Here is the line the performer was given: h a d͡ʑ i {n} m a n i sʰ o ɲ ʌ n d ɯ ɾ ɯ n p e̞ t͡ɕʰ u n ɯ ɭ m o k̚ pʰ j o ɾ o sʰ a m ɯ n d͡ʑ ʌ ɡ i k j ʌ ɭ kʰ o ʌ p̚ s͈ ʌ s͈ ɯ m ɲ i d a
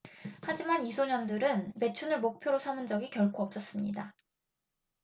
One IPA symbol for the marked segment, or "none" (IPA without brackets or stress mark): none